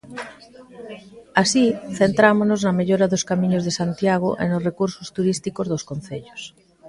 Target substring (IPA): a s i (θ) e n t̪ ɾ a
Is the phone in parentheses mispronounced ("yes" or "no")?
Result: no